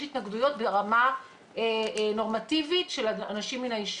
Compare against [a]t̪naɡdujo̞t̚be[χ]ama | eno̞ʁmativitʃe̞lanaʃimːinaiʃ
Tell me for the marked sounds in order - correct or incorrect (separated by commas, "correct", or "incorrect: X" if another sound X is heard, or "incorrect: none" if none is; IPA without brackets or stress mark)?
incorrect: i, incorrect: ʁ